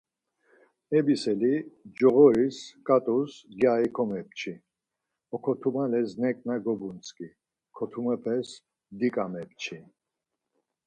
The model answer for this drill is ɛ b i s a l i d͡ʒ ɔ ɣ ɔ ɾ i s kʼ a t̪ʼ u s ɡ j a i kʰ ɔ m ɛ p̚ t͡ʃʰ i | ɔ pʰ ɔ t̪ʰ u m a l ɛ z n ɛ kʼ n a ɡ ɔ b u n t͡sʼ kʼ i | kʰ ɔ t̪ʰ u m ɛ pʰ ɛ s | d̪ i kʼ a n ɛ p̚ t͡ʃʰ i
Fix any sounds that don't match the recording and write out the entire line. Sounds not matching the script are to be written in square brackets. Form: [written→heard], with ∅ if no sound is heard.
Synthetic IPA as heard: ɛ b i s [a→ɛ] l i d͡ʒ ɔ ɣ ɔ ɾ i s kʼ a t̪ʼ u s ɡ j a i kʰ ɔ m ɛ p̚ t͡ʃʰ i | ɔ [pʰ→kʰ] ɔ t̪ʰ u m a l ɛ z n ɛ kʼ n a ɡ ɔ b u n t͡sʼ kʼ i | kʰ ɔ t̪ʰ u m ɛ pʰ ɛ s | d̪ i kʼ a [n→m] ɛ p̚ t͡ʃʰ i